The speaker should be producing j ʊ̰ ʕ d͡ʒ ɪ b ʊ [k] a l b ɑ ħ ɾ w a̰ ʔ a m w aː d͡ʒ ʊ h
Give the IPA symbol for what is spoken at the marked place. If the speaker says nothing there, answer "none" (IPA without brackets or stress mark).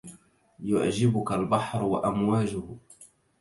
k